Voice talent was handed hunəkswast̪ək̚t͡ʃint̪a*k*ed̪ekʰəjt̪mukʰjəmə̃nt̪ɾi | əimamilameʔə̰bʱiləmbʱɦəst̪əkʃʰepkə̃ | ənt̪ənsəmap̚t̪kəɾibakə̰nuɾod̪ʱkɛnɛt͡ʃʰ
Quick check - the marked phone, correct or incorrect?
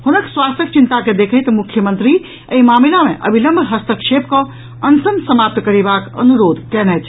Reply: correct